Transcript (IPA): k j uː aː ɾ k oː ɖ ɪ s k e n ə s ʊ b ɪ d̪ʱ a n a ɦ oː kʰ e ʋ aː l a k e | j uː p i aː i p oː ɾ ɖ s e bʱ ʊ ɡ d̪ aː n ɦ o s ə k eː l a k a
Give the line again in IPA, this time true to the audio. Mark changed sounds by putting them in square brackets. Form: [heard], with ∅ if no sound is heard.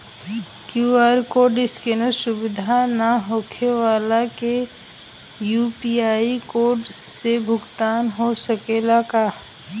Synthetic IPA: k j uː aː ɾ k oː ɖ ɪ s k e n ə s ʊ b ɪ d̪ʱ a n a ɦ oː kʰ e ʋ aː l a k e | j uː p i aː i [k] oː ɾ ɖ s e bʱ ʊ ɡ [t̪] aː n ɦ o s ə k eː l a k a